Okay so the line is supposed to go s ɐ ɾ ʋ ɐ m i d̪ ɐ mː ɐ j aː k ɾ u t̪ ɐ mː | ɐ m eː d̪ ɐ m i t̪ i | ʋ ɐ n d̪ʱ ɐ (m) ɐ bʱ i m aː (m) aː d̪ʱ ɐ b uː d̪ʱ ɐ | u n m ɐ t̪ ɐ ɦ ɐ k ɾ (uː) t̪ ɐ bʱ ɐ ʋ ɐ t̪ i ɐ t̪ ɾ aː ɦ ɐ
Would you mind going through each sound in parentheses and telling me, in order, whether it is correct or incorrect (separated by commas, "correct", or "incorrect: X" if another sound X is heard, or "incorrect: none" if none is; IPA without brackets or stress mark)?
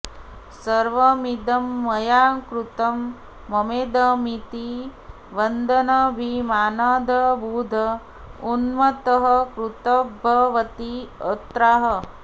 incorrect: n, incorrect: n, incorrect: u